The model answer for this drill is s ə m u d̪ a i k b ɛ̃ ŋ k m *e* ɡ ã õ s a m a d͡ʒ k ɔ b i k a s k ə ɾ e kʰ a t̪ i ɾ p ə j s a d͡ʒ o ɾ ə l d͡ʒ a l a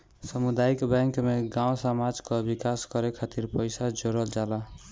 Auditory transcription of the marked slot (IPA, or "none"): e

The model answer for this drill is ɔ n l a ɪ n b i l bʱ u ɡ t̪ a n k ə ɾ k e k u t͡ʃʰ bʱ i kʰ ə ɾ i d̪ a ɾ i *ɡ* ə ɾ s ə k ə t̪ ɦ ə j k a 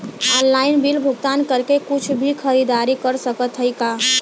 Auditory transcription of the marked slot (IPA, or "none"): k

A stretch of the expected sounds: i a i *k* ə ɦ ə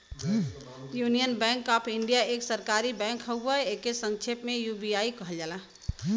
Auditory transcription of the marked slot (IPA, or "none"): k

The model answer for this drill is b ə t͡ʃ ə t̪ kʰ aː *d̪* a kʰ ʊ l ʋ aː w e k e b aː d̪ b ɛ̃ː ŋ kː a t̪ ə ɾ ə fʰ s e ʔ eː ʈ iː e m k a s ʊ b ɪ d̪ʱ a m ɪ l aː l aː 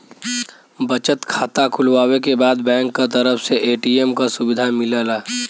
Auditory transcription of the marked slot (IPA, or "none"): t̪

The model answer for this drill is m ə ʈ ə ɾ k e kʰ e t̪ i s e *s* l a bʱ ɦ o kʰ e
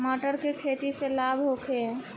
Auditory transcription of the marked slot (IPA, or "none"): none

